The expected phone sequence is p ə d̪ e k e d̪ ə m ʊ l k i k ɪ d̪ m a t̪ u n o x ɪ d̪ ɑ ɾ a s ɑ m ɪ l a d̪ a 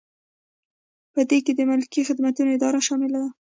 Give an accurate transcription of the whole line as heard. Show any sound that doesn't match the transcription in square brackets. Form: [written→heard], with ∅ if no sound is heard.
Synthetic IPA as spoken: p ə d̪ e k e d̪ ə m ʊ l k i [k→x] ɪ d̪ m a t̪ u n o [x→∅] ɪ d̪ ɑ ɾ a [s→ʃ] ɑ m ɪ l a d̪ a